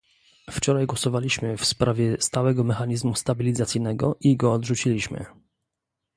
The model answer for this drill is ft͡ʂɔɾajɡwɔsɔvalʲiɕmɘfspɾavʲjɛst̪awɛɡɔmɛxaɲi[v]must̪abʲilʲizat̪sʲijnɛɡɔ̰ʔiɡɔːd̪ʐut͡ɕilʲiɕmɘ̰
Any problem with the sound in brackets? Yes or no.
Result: yes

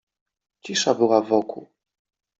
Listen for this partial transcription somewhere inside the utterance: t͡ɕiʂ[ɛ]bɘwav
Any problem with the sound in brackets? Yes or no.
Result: yes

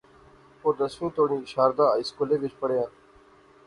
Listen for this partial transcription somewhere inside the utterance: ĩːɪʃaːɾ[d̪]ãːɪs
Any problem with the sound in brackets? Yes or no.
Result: no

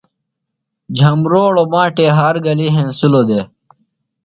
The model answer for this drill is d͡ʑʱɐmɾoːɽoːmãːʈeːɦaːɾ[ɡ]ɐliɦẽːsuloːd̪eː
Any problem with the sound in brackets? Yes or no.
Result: no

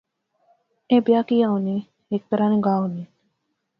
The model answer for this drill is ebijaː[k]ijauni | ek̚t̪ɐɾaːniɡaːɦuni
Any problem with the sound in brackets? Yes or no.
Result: no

